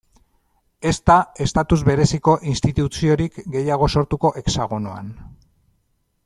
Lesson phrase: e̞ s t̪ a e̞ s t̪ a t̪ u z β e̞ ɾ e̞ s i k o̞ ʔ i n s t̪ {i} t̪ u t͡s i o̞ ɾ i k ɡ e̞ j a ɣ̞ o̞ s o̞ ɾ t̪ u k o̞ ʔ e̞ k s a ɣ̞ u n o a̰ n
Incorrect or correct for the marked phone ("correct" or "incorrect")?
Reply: correct